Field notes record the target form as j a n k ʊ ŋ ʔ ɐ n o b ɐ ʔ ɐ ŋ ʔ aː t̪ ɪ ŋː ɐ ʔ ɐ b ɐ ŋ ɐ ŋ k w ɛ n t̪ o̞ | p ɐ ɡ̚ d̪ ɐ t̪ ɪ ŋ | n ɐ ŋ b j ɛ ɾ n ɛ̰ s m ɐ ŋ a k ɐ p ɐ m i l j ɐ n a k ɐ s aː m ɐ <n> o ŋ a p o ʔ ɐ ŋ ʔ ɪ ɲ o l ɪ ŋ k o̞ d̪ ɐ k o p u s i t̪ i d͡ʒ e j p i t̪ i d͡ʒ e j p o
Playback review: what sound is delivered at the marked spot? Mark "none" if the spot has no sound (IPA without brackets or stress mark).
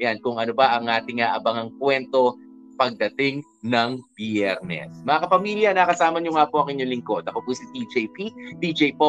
ɲ